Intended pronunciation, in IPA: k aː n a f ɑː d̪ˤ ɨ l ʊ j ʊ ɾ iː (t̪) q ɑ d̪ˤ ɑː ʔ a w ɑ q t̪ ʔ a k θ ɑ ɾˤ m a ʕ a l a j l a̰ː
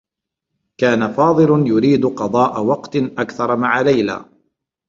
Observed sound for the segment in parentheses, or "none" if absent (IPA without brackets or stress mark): d̪